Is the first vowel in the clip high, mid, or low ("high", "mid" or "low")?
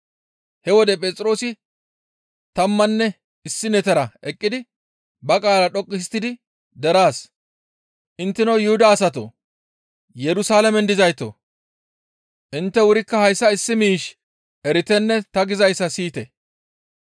mid